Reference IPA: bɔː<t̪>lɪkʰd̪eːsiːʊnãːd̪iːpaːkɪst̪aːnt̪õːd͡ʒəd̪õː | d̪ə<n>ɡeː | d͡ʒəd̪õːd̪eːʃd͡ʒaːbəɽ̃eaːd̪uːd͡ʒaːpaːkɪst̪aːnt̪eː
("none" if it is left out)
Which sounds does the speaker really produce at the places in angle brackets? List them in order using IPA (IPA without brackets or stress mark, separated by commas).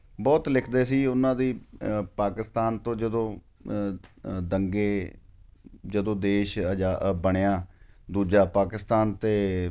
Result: t̪, ŋ